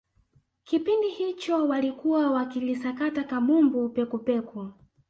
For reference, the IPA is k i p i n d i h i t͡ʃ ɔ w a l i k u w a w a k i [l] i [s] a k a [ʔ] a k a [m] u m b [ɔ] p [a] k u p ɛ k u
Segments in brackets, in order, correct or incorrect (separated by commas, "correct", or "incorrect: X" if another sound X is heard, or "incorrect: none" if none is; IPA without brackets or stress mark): correct, correct, incorrect: t, correct, incorrect: u, incorrect: ɛ